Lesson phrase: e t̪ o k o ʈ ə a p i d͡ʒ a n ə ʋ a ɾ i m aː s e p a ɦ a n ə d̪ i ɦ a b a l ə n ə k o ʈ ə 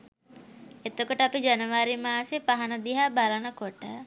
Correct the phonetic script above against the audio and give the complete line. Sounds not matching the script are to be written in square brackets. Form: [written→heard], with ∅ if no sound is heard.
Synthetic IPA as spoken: e t̪ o k o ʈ ə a p i d͡ʒ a n ə ʋ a ɾ i m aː s e p a ɦ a n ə d̪ i ɦ a b a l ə n ə k o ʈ ə